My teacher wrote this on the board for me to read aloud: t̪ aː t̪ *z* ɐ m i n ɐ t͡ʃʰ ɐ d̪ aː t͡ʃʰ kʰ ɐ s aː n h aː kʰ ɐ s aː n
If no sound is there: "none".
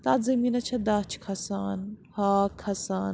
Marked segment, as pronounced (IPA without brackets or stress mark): z